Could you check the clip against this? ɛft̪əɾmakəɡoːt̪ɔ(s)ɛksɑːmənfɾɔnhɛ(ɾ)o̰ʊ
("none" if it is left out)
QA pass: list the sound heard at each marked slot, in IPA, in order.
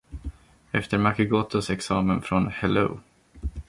s, l

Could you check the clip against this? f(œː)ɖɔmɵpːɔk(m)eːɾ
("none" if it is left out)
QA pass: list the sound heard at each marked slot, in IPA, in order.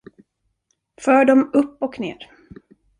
œː, n

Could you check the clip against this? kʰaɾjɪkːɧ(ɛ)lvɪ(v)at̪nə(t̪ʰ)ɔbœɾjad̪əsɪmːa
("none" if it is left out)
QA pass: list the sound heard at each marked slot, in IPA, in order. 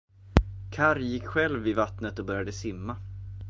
ɛ, v, t̪

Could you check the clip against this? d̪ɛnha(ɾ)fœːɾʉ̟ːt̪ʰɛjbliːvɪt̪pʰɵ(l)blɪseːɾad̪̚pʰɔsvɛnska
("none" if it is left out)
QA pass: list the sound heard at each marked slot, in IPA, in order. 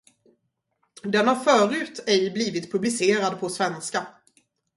ɾ, none

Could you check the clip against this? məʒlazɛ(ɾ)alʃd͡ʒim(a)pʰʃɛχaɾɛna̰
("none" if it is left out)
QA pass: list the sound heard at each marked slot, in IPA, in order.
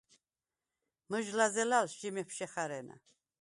l, ɛ

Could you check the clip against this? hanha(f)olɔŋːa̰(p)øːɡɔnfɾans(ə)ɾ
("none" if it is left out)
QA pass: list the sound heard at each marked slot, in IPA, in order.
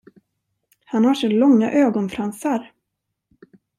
ʂ, ʔ, a

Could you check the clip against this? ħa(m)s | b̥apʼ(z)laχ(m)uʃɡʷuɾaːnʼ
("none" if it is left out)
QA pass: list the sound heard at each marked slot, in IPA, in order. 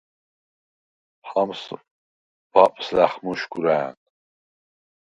m, s, m

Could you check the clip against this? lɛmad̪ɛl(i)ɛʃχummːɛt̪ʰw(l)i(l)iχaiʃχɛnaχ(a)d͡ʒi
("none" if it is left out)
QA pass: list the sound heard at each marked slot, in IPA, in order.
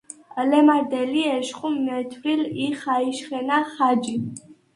i, ɾ, l, a

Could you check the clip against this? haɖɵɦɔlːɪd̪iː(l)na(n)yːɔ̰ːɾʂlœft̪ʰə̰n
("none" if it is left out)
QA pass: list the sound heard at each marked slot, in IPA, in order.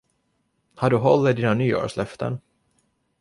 none, n

